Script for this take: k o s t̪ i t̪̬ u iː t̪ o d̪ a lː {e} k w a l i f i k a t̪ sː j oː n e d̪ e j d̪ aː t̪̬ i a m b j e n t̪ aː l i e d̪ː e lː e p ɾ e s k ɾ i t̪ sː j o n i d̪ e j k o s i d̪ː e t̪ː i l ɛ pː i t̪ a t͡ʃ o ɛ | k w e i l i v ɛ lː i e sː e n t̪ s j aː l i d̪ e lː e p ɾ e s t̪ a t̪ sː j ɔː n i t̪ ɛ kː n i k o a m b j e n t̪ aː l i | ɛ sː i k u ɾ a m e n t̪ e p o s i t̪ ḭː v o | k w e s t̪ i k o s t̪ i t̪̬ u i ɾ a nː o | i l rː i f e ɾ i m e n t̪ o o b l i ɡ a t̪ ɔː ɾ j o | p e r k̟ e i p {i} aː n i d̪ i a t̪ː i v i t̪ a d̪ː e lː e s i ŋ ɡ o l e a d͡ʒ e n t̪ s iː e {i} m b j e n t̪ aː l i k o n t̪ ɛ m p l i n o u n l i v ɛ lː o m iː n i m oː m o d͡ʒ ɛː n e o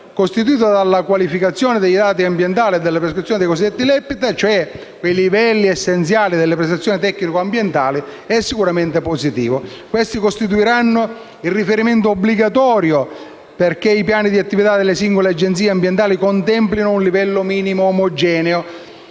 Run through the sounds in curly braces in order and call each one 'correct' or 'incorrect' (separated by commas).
incorrect, incorrect, incorrect